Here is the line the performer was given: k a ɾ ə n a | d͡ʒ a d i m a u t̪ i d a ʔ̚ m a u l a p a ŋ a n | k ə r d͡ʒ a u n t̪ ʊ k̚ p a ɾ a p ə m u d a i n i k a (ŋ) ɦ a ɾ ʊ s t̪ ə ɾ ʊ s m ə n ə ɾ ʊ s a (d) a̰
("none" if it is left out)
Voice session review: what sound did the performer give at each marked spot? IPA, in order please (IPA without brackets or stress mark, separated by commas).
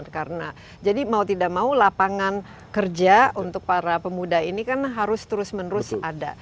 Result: n, d